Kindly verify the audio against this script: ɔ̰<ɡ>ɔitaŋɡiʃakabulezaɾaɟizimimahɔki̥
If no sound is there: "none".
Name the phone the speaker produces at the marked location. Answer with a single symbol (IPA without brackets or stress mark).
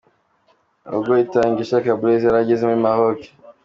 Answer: ɡ